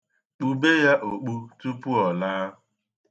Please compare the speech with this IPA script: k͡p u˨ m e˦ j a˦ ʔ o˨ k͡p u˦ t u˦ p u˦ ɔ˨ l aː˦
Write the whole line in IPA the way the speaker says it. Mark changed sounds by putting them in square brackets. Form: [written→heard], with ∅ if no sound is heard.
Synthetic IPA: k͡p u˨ [m→b] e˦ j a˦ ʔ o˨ k͡p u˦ t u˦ p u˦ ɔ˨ l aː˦